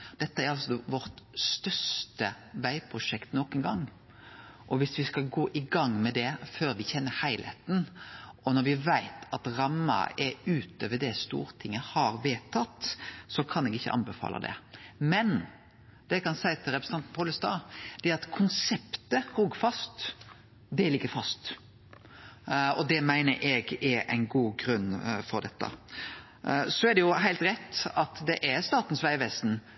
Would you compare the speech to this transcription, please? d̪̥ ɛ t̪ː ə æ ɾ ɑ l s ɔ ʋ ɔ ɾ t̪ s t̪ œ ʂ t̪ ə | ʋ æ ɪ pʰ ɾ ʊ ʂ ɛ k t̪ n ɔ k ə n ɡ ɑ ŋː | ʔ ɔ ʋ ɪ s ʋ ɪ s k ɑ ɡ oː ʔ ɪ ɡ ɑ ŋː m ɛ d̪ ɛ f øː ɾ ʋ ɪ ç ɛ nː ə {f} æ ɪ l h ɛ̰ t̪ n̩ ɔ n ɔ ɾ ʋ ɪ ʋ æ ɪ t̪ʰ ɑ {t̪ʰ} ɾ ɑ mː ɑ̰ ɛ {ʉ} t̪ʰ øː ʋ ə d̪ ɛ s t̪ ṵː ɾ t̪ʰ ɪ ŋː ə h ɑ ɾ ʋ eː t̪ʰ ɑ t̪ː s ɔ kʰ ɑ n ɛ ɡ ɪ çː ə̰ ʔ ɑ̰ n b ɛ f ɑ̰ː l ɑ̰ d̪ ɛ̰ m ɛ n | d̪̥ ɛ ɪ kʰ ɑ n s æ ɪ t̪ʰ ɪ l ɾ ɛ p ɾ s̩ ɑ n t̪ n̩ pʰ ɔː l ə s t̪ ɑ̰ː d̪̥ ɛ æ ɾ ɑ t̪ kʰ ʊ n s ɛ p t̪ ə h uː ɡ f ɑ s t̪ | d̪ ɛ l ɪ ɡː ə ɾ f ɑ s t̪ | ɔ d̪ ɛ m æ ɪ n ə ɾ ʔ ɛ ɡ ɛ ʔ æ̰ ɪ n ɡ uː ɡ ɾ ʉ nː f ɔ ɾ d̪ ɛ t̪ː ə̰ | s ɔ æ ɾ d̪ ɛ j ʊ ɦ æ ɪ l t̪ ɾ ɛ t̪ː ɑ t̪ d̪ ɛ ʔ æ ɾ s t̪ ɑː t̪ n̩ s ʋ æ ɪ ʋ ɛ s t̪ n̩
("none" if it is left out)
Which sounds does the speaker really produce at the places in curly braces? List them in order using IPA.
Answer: h, t̪, ʉː

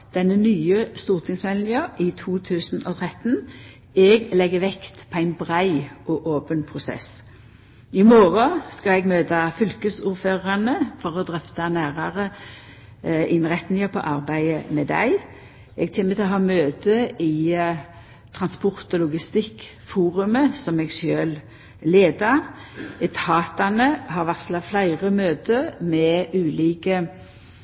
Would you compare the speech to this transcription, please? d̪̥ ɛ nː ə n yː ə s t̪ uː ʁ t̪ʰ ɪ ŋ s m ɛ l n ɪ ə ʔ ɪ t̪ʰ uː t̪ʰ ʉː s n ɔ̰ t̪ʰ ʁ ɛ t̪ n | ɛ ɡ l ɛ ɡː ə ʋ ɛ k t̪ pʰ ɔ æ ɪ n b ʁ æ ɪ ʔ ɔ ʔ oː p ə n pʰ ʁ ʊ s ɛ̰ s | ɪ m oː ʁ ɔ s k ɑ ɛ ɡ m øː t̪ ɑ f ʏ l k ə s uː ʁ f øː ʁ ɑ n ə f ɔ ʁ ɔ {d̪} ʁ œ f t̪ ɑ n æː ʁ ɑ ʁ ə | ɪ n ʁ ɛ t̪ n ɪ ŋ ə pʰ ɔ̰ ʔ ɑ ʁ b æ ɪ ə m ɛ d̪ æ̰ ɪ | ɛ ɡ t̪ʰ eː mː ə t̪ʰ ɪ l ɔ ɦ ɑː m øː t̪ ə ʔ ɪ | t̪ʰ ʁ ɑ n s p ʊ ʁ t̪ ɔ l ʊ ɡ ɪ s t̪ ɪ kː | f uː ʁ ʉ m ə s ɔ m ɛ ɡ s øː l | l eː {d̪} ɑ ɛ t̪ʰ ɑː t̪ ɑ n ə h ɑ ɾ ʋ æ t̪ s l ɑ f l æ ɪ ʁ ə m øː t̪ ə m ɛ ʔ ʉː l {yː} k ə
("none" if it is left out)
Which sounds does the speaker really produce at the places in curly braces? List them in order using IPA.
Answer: d̪, d̪, iː

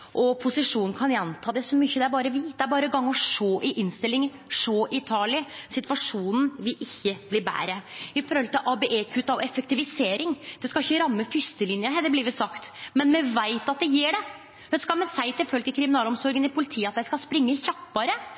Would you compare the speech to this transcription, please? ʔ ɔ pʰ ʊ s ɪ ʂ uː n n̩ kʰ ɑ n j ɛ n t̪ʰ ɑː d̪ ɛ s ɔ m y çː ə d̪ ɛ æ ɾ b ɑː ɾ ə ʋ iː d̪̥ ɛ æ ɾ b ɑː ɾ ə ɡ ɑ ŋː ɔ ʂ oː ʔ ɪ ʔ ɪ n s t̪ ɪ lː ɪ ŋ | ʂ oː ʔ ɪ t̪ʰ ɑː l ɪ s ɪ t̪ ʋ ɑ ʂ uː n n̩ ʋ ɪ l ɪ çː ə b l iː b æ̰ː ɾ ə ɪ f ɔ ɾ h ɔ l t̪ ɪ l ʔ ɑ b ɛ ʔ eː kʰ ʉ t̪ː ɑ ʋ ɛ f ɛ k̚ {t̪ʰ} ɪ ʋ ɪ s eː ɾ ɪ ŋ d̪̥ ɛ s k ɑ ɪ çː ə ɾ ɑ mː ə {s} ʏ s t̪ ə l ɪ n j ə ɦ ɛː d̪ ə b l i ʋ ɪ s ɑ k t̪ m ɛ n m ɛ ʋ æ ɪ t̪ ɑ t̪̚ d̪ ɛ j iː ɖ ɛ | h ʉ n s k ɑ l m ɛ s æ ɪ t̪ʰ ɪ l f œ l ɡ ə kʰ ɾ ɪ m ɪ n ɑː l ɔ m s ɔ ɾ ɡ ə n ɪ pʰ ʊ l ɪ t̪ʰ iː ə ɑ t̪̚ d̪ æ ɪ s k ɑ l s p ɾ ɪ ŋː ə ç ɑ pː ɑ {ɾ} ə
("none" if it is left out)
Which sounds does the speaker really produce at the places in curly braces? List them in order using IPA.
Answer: t̪, f, ɾ

